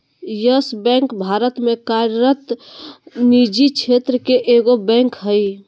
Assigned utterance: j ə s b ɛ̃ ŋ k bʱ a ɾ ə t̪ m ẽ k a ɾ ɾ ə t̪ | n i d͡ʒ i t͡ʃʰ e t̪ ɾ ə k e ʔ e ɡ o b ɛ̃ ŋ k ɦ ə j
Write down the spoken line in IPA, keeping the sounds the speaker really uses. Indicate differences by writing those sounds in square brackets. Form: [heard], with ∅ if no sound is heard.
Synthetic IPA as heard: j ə s b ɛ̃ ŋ k bʱ a ɾ ə t̪ m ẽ k a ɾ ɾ ə t̪ | n i d͡ʒ i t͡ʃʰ e t̪ ɾ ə k e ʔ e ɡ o b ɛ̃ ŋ k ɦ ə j